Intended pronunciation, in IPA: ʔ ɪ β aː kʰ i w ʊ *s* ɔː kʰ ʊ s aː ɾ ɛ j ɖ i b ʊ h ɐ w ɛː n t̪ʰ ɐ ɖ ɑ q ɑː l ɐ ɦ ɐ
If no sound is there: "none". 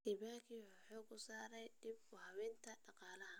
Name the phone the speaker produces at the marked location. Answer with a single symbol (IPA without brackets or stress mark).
ħ